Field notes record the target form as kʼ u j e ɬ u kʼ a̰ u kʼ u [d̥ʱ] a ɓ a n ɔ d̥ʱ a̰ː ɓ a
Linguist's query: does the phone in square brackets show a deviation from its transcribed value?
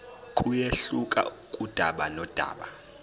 no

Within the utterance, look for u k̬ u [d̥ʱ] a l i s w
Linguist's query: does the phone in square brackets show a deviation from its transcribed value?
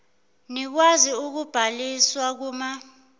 yes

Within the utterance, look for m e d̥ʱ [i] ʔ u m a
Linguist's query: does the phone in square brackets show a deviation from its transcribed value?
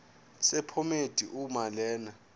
no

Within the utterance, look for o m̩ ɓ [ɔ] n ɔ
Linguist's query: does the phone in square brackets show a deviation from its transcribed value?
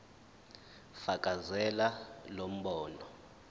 yes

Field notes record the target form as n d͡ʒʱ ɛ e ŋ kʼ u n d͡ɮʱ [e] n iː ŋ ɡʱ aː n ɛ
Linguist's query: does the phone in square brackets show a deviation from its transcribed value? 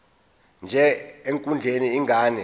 no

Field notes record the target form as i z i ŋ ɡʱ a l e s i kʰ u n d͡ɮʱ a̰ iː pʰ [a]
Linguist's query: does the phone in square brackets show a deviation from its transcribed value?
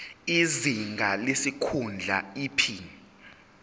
yes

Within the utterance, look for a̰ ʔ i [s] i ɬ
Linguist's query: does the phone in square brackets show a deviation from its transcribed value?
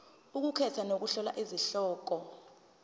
yes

